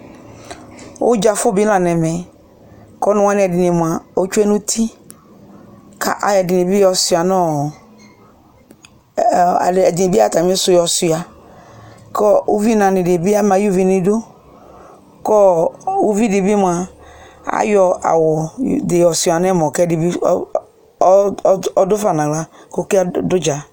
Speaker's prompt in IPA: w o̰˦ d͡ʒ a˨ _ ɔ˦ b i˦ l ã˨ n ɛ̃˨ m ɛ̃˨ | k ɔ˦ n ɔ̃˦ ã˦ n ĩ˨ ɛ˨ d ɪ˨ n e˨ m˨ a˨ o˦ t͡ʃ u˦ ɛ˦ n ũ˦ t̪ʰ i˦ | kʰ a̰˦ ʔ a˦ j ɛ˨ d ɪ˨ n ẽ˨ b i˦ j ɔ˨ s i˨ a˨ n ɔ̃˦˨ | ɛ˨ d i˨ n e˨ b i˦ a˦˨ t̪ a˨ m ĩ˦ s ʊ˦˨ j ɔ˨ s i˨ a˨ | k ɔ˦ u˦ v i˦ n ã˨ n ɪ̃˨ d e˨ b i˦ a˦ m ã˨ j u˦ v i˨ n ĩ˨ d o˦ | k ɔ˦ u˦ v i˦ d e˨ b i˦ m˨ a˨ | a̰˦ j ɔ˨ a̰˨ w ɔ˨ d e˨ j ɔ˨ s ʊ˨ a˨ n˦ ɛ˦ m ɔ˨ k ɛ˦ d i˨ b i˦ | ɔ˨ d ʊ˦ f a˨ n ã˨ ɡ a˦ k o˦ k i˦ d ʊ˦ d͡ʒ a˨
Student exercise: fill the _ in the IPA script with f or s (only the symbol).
f